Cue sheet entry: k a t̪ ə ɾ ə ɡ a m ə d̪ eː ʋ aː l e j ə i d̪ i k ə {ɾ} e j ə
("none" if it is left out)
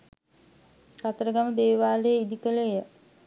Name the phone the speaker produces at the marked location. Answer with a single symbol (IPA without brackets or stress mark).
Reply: l